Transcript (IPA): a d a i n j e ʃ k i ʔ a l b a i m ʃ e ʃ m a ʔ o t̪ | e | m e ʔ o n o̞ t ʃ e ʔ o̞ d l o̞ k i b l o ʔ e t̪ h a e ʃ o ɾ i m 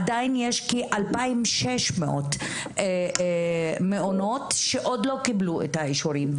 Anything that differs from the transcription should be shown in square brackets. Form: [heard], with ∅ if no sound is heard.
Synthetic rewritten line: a d a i n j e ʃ k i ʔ a l [p] a i m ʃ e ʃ m [e] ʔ o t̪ | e | m e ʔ o n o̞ t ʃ e ʔ o̞ d l o̞ k i b l [u] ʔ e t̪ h a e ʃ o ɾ i m